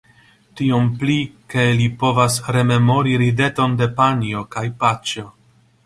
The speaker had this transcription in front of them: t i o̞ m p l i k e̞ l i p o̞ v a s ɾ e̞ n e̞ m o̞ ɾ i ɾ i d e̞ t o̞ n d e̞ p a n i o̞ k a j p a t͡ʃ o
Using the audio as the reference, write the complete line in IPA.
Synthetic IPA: t i o̞ m p l i k e̞ l i p o̞ v a s ɾ e̞ m e̞ m o̞ ɾ i ɾ i d e̞ t o̞ n d e̞ p a n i o̞ k a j p a t͡ʃ o